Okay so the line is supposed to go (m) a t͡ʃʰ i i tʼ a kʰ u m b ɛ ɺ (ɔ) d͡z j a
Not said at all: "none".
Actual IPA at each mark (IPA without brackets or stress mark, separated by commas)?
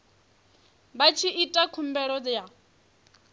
b, ɔ